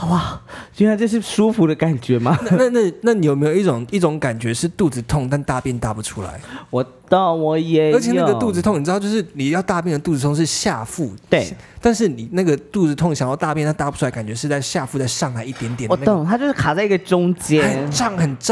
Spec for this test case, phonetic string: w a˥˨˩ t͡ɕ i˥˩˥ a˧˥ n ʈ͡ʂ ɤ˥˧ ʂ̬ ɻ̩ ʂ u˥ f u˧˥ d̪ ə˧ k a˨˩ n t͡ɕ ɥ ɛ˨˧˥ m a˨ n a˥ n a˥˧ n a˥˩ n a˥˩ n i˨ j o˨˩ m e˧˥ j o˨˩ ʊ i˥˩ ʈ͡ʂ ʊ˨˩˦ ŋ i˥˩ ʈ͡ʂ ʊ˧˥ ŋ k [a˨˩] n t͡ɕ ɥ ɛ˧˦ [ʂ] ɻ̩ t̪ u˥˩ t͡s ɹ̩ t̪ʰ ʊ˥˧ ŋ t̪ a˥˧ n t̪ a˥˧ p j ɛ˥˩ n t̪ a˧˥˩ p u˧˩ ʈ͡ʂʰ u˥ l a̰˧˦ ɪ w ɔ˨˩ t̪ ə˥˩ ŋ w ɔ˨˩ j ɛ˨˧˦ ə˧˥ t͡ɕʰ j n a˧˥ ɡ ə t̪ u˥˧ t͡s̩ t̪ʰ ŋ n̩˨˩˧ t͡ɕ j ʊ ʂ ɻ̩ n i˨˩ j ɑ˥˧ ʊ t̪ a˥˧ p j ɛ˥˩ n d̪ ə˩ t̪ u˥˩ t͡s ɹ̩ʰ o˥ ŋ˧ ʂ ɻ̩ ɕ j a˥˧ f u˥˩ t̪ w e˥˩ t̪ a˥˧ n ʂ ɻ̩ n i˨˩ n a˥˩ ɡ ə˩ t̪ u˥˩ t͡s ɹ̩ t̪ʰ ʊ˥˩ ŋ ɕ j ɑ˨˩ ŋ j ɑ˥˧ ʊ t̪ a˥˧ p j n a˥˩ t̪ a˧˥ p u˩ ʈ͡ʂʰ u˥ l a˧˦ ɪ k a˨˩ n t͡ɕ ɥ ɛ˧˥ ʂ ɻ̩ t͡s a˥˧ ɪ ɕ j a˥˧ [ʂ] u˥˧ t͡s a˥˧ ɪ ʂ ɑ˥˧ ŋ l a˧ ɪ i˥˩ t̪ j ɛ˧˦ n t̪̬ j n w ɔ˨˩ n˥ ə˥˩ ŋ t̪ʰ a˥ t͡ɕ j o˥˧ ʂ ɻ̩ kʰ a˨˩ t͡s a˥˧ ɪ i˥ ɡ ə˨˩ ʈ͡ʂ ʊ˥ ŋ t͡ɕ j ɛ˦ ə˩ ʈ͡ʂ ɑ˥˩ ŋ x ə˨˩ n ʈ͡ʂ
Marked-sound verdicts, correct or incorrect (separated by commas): correct, correct, incorrect